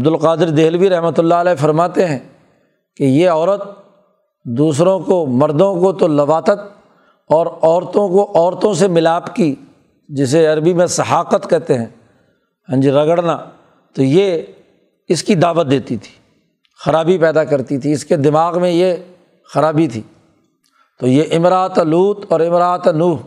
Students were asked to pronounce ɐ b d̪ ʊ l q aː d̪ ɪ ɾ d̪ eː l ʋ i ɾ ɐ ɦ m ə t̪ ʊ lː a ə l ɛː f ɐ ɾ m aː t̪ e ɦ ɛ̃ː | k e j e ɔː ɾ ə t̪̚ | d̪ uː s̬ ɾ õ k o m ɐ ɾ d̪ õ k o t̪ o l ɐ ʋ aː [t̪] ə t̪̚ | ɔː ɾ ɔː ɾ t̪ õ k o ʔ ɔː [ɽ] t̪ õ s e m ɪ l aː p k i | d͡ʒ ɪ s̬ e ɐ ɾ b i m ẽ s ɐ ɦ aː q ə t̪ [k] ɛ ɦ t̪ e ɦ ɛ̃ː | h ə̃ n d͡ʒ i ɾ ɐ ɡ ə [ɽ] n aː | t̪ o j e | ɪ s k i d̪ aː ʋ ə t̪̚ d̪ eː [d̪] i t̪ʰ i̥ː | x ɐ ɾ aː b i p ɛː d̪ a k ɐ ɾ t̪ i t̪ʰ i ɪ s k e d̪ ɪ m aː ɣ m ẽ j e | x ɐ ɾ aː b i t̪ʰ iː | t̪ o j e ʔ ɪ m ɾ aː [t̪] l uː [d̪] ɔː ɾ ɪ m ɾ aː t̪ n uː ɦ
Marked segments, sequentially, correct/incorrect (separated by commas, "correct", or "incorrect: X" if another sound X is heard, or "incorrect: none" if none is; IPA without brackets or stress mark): correct, incorrect: ɾ, correct, correct, incorrect: t̪, correct, incorrect: t̪